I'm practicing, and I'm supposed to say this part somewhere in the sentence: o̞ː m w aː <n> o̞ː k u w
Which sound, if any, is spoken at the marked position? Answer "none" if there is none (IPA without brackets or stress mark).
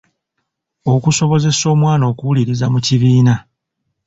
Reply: n